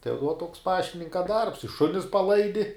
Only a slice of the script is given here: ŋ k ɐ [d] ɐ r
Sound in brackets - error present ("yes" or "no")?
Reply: no